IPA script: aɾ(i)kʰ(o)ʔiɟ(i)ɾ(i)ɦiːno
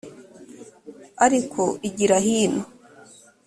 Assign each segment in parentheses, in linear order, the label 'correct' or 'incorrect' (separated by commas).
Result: correct, correct, correct, incorrect